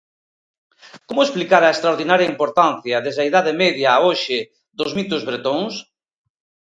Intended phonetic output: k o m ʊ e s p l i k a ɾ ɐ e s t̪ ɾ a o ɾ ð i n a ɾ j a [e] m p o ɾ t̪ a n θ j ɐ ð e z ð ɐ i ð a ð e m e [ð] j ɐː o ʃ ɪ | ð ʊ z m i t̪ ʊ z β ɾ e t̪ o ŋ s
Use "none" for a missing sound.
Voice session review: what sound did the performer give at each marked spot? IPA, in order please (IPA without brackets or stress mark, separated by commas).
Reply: i, ð